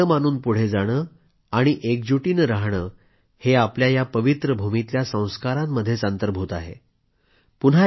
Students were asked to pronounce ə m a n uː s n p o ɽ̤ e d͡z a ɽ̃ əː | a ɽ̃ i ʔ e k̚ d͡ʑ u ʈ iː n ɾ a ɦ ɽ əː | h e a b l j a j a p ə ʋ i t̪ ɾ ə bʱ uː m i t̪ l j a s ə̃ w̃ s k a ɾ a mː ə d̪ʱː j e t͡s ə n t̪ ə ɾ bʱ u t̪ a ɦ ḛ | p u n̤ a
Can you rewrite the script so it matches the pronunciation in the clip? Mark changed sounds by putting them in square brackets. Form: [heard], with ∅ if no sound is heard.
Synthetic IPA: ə m a n uː [∅] n p [u] ɽ̤ e d͡z a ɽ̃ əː | a ɽ̃ i ʔ e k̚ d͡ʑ u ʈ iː n ɾ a ɦ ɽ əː | h e a [p] l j a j a p ə ʋ i t̪ ɾ ə bʱ [u] m i t̪ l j a s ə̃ w̃ s k a ɾ a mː ə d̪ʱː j e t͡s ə n t̪ ə ɾ bʱ u t̪ a ɦ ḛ | p u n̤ a